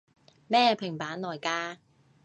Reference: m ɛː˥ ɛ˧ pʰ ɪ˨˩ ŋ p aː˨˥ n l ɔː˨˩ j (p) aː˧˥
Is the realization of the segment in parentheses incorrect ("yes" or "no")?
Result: yes